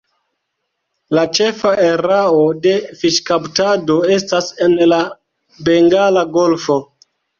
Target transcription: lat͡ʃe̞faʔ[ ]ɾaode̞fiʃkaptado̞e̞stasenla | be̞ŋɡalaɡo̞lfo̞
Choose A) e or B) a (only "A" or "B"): A